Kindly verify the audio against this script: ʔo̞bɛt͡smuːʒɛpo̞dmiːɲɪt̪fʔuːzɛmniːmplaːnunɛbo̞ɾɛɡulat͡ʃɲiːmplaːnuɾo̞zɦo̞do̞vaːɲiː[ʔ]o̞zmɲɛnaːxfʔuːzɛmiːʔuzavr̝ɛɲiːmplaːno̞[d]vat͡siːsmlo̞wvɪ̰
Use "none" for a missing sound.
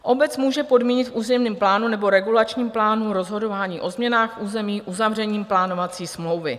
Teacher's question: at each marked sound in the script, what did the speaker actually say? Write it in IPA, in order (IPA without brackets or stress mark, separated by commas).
ʔ, none